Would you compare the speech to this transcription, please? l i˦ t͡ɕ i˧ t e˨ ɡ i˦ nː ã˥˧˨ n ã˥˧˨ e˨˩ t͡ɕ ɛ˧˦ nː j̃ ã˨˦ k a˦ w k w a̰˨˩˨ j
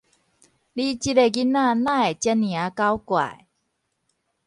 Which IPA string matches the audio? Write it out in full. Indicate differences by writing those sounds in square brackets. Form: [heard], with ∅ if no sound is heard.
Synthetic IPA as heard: l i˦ t͡ɕ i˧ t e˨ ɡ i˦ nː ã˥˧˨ n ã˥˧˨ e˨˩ t͡ɕ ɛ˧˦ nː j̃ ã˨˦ k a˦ w k w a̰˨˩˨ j

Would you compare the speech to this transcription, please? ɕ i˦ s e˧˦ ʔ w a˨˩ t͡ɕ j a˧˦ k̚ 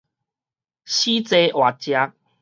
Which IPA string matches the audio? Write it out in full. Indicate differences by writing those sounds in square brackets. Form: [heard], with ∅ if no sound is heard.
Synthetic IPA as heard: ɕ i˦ [t͡s] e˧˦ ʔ w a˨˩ t͡ɕ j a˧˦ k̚

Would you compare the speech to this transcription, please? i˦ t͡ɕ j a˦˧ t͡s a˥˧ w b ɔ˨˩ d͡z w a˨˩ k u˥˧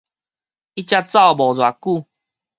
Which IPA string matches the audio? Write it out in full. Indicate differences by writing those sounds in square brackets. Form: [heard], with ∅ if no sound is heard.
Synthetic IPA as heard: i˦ t͡ɕ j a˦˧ t͡s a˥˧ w b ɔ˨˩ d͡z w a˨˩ k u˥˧

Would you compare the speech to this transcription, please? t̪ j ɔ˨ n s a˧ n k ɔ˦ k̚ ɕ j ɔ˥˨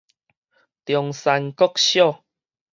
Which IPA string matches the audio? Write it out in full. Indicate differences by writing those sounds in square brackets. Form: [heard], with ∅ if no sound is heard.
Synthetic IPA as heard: t̪ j ɔ˨ [ŋ] s a˧ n k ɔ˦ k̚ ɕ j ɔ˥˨

